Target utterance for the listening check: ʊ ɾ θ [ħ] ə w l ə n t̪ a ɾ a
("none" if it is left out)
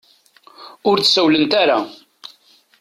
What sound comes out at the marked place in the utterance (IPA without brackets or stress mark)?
s